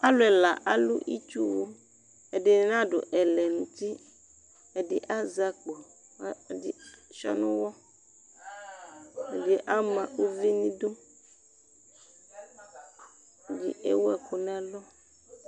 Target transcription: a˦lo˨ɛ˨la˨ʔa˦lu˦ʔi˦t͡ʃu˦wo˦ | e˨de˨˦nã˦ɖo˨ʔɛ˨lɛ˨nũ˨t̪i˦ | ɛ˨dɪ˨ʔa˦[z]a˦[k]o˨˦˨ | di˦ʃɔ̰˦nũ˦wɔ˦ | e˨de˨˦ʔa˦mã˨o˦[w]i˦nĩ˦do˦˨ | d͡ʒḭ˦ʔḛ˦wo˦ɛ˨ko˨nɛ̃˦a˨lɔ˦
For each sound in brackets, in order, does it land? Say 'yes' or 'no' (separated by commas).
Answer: yes, no, no